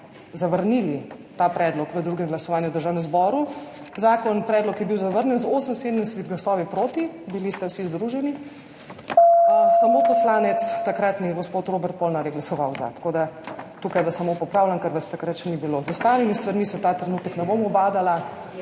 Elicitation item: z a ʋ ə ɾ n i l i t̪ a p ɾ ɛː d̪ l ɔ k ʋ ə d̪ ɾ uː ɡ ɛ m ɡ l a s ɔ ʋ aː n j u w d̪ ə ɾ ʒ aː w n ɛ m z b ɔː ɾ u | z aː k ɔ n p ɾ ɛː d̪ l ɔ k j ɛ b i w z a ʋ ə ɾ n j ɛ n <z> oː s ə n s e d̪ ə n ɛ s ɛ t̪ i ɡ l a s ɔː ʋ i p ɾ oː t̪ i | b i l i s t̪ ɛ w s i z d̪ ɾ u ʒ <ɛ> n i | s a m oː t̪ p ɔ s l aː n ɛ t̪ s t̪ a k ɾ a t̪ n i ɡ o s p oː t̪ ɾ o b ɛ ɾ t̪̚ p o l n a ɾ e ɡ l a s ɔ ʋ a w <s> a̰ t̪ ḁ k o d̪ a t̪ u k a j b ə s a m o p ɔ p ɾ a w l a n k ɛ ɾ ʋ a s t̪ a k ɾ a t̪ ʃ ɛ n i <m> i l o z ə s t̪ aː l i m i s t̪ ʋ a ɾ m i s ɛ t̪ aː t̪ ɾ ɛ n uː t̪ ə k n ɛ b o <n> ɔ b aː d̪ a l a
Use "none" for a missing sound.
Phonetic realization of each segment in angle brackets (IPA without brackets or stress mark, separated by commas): z, ɛ, z, b, m